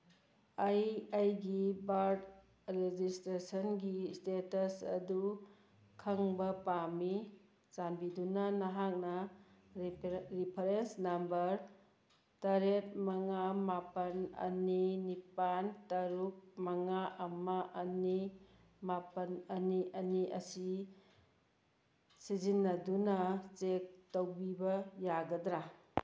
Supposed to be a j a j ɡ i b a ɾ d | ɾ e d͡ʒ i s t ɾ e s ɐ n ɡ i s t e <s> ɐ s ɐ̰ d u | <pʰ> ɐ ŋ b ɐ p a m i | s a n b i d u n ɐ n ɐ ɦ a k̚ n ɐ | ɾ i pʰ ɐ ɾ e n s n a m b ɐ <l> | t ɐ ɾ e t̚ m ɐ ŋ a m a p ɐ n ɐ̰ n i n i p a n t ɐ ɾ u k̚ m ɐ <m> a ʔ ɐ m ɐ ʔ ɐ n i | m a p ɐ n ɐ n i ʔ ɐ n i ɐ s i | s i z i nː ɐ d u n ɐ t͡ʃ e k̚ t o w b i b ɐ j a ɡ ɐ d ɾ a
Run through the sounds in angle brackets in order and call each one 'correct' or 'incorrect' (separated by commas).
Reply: incorrect, incorrect, incorrect, incorrect